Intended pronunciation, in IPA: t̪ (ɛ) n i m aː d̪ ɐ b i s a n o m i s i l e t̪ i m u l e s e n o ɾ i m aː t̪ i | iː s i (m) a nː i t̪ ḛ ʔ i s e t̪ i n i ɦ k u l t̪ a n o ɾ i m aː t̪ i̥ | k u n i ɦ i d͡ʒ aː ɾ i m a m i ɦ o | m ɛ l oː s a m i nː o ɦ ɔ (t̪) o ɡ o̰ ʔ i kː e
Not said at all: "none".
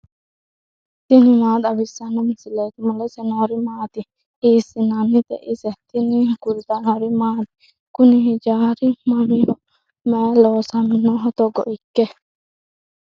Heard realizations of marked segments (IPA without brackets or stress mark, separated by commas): i, n, t̪